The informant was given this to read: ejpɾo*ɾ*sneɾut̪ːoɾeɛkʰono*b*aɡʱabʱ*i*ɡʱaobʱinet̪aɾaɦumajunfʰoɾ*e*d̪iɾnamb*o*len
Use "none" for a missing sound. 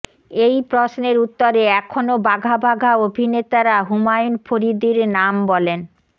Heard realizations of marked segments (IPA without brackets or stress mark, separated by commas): none, b, a, i, ɔ